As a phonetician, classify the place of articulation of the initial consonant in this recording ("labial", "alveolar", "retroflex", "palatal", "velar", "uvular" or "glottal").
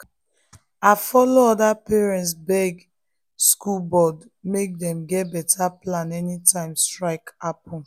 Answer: labial